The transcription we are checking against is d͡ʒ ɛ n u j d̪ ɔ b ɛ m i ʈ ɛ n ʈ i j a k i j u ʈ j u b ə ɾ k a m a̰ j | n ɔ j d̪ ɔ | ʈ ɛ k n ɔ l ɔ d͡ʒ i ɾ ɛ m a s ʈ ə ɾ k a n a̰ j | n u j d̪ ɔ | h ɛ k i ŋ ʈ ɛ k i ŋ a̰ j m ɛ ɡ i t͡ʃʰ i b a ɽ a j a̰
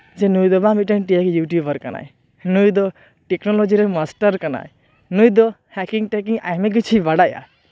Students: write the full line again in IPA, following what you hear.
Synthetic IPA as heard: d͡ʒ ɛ n u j d̪ ɔ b a m i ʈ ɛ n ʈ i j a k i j u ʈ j u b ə ɾ k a n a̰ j | n u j d̪ ɔ | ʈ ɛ k n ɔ l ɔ d͡ʒ i ɾ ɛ m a s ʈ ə ɾ k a n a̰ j | n u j d̪ ɔ | h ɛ k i ŋ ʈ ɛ k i ŋ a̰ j m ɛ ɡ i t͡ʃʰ i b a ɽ a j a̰